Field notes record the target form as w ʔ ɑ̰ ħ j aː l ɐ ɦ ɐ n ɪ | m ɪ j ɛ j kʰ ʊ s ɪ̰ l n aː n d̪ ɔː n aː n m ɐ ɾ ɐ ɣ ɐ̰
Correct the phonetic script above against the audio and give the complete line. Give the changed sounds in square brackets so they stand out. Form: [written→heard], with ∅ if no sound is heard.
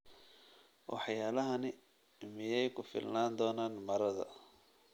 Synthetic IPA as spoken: w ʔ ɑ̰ ħ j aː l ɐ ɦ ɐ n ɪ | m ɪ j ɛ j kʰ ʊ [s→f] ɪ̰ l n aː n d̪ ɔː n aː n m ɐ ɾ ɐ [ɣ→ð] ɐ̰